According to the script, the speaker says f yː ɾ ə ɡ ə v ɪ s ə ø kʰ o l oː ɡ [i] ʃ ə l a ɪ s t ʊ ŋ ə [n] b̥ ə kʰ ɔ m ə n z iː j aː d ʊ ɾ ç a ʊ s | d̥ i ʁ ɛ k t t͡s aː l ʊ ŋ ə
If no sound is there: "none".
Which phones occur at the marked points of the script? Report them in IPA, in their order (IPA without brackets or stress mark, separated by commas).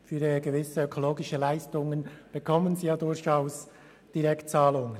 ɪ, n